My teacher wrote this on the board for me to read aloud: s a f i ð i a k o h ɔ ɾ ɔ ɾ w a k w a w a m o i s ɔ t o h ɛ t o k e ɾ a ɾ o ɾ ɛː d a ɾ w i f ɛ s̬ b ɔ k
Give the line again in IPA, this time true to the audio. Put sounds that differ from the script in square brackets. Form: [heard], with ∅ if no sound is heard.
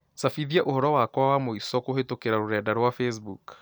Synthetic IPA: s a f i ð i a [ʔ] o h ɔ ɾ ɔ [∅] w a k w a w a m o i s ɔ [k] o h [e] t o k e ɾ a ɾ o ɾ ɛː d a ɾ w [a] f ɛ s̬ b [u] k

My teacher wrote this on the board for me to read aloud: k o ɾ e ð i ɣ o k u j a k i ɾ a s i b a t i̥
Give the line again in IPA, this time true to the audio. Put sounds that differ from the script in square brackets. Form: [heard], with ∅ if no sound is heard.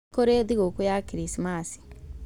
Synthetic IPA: k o ɾ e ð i ɣ o k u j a k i ɾ [i] s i [m] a [s] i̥

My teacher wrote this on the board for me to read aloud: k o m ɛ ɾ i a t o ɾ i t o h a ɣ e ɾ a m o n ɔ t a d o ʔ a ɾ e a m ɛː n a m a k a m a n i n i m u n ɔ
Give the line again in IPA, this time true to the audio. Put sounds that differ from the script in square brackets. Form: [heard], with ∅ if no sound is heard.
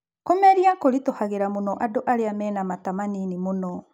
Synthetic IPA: k o m ɛ ɾ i a [k] o ɾ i t o h a ɣ e ɾ a m o n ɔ [ʔ] a d o ʔ a ɾ e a m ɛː n a m a [t] a m a n i n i m [o] n ɔ

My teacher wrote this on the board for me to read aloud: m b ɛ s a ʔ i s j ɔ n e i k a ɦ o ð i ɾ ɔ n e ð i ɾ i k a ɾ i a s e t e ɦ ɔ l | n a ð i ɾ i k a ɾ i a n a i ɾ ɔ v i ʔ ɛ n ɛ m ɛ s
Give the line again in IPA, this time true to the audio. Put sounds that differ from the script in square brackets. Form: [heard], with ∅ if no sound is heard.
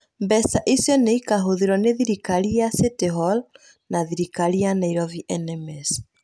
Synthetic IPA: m b ɛ s a ʔ i s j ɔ n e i k a ɦ o ð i ɾ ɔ n e ð i ɾ i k a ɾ i a s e t e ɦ ɔ l | n a ð i ɾ i k a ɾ i a n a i ɾ ɔ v i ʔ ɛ n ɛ m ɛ s

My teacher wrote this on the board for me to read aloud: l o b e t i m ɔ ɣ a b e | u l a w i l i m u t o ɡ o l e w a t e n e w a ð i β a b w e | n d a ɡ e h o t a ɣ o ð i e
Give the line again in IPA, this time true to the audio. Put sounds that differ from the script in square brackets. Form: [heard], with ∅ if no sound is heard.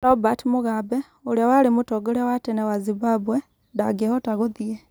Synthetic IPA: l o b [a] t i m [u] ɣ a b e | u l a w [a] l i m u t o ɡ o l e w a t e n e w a [z] i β a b w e | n d a ɡ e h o t a ɣ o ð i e

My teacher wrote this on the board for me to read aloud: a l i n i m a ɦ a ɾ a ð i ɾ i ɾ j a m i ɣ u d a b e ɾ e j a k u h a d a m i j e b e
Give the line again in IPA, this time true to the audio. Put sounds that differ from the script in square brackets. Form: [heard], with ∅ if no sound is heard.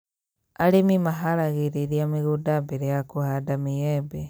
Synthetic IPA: a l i [m] i m a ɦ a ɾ a [ɣ] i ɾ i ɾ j a m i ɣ u d a b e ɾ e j a k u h a d a m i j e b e

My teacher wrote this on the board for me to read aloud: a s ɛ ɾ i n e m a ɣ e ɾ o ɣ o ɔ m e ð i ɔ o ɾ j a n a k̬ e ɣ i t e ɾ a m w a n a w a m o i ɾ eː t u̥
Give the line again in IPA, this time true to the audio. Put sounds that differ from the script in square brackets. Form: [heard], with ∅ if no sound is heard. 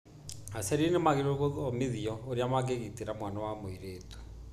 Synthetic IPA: a s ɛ ɾ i n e m a ɣ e ɾ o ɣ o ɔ m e ð i ɔ o ɾ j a [m] a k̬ e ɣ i t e ɾ a m w a n a w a m o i ɾ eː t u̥

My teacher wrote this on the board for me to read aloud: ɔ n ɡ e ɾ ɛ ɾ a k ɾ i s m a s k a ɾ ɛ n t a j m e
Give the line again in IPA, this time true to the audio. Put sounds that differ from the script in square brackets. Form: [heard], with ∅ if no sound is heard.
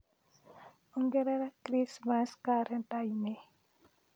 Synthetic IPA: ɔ [ŋ] ɡ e ɾ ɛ ɾ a k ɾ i s m a s k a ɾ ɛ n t a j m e

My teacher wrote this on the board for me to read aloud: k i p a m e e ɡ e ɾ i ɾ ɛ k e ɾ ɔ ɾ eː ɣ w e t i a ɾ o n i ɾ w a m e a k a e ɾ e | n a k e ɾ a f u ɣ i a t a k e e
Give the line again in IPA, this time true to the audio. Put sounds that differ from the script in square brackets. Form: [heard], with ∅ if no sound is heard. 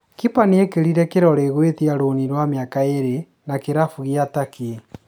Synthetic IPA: k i p a [n] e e [k] e ɾ i ɾ ɛ k e ɾ ɔ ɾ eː ɣ w e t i a ɾ o n i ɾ w a m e a k a e ɾ e | n a k e ɾ a f u ɣ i a t a k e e

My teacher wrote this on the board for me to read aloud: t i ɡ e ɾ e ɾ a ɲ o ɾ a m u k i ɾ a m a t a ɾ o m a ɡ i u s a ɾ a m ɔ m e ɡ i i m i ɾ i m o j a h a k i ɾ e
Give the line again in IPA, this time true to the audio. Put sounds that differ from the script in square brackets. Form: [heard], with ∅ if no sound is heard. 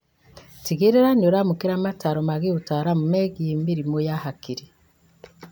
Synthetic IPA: t i ɡ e ɾ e ɾ a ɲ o ɾ a m u k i ɾ a m a t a ɾ o m a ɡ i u [t] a ɾ a m [u] m e ɡ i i m i ɾ i m o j a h a k i ɾ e

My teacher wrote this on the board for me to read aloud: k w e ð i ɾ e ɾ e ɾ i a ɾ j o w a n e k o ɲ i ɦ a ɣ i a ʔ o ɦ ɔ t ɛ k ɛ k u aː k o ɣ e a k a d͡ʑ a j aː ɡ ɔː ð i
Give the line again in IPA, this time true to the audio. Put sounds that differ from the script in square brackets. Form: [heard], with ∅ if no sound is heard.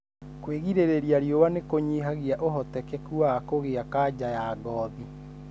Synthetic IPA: k w e [ɣ] i ɾ e ɾ e ɾ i a ɾ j o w a n e k o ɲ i ɦ a ɣ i a ʔ o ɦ ɔ t ɛ k ɛ k u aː k o ɣ e a k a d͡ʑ a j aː ɡ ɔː ð i

